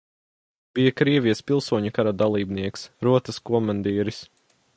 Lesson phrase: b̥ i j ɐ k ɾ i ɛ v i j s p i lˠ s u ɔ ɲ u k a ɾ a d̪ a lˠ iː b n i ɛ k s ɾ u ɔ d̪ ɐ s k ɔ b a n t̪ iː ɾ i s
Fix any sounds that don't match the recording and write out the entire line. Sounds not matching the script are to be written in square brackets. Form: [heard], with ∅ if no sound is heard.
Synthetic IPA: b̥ i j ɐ k ɾ i ɛ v i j s p i lˠ s u ɔ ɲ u k a ɾ a d̪ a lˠ iː b n i ɛ k s ɾ u ɔ [t̪] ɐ s k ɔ [m] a n [d̪] iː ɾ i s